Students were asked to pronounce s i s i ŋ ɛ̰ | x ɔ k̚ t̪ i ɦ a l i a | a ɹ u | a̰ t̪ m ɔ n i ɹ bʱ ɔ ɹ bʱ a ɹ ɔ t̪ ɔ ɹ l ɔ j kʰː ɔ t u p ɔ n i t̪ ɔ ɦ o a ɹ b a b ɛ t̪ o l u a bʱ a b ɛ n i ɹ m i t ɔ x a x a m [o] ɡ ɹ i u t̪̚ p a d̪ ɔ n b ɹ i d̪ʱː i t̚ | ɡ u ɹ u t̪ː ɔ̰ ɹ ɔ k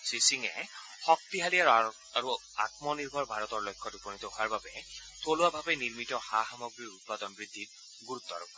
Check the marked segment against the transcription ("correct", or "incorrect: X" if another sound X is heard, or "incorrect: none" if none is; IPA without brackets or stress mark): incorrect: ɔ